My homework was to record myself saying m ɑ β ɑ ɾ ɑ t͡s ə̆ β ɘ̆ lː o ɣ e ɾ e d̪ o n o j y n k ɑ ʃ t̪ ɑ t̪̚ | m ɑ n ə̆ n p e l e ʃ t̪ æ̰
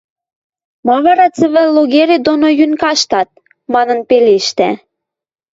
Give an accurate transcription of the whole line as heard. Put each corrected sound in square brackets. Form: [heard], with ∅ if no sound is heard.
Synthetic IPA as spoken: m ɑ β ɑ ɾ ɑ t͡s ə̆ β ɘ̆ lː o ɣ e ɾ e d̪ o n o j y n k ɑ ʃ t̪ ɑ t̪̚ | m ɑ n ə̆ n p e l e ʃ t̪ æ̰